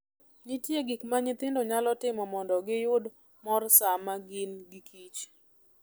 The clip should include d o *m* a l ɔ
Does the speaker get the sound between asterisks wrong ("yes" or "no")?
yes